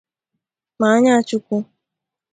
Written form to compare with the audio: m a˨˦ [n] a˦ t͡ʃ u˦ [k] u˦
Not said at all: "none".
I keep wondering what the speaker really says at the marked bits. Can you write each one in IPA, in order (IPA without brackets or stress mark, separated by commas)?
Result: ɲ, k